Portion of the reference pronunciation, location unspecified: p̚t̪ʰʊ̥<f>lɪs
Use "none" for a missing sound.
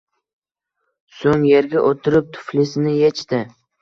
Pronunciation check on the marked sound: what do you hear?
f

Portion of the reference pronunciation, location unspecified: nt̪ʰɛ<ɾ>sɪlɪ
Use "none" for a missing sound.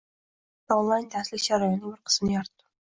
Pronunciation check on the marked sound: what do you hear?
none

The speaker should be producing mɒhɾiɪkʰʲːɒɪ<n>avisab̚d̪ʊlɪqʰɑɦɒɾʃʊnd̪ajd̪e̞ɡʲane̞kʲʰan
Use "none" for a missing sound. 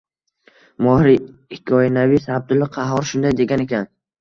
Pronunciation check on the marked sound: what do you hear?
n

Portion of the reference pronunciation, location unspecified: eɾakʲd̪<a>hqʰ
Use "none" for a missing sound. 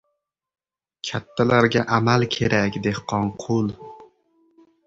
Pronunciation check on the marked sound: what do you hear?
e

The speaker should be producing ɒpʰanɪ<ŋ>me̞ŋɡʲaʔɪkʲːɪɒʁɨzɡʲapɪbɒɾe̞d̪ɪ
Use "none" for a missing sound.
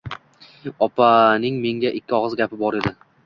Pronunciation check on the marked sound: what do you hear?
ŋ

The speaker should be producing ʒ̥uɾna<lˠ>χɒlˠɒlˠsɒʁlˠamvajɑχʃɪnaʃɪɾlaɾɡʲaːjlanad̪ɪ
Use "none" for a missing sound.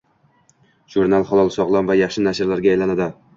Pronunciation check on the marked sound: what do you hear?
lˠ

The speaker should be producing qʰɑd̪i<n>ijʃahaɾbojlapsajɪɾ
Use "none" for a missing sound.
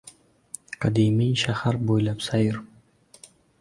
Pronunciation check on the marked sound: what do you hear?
m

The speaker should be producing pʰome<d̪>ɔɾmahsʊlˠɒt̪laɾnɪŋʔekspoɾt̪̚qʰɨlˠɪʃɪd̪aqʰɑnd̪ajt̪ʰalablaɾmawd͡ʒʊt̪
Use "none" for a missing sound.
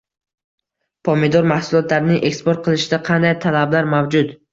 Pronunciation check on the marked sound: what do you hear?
d̪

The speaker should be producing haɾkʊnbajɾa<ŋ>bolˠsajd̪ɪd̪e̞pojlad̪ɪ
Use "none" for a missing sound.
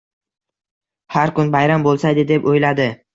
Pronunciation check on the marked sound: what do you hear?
m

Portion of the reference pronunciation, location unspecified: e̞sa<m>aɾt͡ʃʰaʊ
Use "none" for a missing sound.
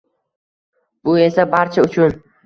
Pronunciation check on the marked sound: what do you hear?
b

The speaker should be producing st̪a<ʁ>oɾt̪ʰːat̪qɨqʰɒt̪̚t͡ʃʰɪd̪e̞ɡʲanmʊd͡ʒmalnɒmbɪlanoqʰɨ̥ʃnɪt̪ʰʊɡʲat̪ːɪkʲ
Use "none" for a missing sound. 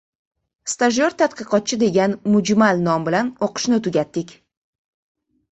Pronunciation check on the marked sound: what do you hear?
ʒ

